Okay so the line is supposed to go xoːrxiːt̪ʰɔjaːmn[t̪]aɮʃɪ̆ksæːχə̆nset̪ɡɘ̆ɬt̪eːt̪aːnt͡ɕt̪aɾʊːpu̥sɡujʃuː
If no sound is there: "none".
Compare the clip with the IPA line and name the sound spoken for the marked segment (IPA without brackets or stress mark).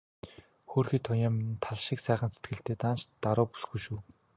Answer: t̪ʰ